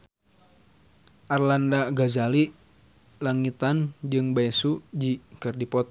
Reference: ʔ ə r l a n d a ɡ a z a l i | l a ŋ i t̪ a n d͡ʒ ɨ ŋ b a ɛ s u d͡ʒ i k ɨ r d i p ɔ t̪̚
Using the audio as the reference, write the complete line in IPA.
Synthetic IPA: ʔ a r l a n d a ɡ a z a l i | l a ŋ i t̪ a n d͡ʒ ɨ ŋ b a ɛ s u d͡ʒ i k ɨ r d i p ɔ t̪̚